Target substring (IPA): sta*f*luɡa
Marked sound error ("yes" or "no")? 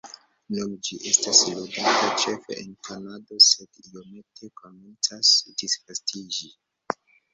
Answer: yes